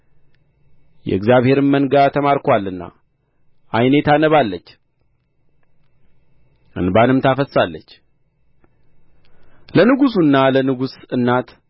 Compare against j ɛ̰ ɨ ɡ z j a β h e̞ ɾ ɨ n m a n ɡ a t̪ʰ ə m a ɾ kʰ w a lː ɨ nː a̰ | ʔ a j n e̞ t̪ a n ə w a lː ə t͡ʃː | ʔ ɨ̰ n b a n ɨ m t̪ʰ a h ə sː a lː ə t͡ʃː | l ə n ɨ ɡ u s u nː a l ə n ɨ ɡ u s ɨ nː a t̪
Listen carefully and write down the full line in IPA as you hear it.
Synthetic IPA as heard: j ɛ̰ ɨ ɡ z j a β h e̞ ɾ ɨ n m ə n ɡ a t̪ʰ ə m a ɾ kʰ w a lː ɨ nː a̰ | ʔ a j n e̞ t̪ a n ə β a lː ə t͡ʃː | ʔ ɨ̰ n b a n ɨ m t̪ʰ a f ə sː a lː ə t͡ʃː | l ə n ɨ ɡ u s u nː a l ə n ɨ ɡ u s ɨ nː a t̪